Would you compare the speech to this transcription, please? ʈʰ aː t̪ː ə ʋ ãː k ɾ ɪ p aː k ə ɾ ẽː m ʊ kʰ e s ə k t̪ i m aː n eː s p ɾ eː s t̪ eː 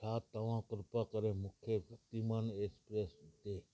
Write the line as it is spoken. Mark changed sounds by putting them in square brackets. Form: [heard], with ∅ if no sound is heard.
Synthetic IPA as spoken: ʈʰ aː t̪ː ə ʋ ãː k ɾ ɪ p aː k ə ɾ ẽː m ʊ kʰ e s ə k t̪ i m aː n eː s p ɾ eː s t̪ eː